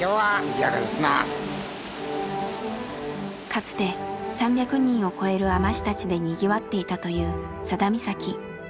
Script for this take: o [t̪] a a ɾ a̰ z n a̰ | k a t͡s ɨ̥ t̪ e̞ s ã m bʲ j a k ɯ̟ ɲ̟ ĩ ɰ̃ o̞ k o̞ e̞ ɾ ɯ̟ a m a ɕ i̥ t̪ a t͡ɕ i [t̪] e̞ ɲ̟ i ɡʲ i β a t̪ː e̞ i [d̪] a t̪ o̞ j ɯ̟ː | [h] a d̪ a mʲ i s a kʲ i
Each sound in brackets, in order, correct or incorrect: incorrect: none, incorrect: d̪, incorrect: t̪, incorrect: s

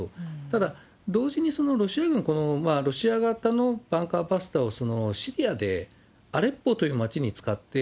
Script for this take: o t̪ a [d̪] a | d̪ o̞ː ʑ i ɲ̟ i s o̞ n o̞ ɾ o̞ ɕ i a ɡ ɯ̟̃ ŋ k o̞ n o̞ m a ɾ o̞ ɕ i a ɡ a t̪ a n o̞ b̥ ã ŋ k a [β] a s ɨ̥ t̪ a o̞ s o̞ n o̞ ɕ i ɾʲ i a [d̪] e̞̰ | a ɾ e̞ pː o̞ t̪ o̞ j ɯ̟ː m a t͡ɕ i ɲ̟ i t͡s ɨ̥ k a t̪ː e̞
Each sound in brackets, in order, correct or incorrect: correct, incorrect: b, correct

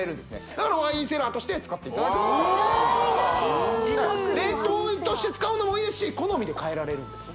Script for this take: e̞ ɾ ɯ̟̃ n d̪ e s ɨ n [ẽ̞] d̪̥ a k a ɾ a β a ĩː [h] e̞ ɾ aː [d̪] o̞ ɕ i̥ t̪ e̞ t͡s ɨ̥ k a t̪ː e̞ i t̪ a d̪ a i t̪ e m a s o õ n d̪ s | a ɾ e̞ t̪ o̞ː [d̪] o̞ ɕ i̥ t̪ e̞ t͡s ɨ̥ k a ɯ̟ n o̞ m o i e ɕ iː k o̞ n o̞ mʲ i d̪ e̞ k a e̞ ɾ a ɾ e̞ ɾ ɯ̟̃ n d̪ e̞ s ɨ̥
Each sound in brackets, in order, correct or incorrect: incorrect: e̞, incorrect: s, incorrect: t̪, incorrect: t̪

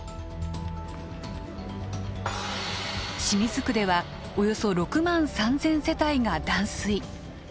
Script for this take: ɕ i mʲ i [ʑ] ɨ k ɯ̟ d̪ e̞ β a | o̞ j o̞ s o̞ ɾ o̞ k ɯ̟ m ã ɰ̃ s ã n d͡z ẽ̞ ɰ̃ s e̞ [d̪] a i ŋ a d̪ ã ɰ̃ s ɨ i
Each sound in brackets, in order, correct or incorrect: incorrect: z, incorrect: t̪

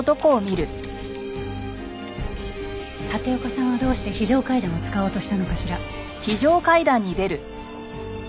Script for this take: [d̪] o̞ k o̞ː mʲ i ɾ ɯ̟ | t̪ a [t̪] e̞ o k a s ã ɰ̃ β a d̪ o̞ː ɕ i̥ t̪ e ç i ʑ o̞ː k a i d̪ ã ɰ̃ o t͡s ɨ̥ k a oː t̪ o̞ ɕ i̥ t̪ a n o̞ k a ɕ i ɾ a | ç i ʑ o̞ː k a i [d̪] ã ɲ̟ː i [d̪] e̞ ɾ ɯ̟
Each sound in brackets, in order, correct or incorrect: incorrect: t̪, correct, correct, correct

